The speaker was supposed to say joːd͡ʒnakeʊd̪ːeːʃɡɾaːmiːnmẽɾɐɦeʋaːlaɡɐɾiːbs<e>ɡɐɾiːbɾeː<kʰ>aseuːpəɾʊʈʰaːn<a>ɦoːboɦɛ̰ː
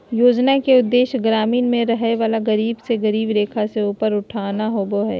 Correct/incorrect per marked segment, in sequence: correct, correct, correct

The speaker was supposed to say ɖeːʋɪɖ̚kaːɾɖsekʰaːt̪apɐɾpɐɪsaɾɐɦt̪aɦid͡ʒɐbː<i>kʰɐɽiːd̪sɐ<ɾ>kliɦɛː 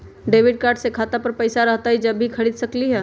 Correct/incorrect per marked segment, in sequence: correct, incorrect: none

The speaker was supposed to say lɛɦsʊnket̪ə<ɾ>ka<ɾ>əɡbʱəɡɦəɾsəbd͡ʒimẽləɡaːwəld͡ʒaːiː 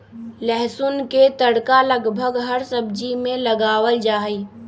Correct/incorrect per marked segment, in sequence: incorrect: ɽ, incorrect: l

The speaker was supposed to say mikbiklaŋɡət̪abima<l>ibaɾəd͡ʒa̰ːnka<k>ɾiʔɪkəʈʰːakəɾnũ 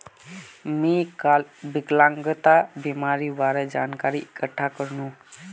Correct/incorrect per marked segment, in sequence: incorrect: ɾ, incorrect: none

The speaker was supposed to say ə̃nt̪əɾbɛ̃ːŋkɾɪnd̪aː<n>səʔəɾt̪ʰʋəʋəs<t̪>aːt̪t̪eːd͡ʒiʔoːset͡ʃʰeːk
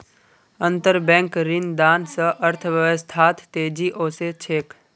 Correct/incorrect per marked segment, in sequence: correct, incorrect: t̪ʰ

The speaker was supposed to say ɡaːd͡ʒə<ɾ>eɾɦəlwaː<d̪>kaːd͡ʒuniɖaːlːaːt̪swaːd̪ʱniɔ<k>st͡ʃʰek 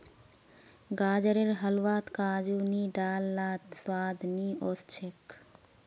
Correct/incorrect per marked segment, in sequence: correct, incorrect: t̪, incorrect: none

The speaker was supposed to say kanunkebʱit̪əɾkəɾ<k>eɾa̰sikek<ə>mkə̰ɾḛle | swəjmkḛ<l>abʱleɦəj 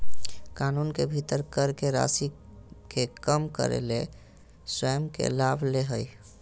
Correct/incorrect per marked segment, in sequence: correct, correct, correct

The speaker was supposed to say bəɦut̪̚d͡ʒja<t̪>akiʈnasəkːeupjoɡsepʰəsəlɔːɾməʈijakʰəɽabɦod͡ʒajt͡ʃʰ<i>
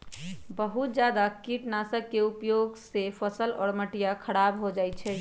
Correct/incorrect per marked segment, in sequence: incorrect: d̪, incorrect: ɛ

